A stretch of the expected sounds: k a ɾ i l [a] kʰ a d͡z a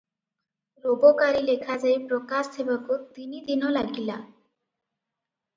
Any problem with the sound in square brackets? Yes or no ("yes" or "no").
yes